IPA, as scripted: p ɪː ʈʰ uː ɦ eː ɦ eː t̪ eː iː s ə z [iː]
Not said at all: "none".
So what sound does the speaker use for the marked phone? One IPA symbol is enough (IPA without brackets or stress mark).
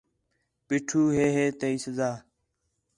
aː